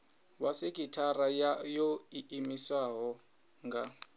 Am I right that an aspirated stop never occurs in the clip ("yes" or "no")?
no